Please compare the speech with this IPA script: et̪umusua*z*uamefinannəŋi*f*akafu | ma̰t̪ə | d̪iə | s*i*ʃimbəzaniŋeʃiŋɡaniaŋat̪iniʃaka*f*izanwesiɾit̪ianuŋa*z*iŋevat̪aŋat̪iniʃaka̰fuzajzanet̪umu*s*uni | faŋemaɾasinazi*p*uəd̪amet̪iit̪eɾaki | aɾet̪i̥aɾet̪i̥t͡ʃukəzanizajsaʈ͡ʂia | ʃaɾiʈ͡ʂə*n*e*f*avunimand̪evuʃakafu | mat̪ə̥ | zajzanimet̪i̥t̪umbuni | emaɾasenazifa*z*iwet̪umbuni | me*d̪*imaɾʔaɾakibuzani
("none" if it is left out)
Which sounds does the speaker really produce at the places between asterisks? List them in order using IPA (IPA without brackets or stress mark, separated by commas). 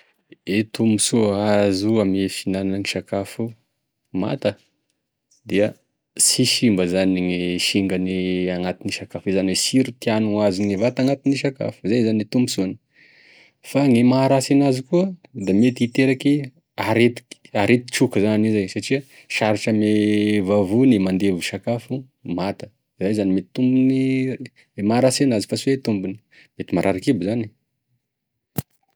z, ʃ, i, f, z, s, k, m, v, s, t̪